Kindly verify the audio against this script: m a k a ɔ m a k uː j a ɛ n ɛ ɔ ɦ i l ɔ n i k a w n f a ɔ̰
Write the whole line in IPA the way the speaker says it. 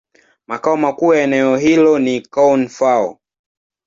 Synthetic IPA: m a k a ɔ m a k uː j a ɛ n ɛ ɔ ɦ i l ɔ n i k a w n f a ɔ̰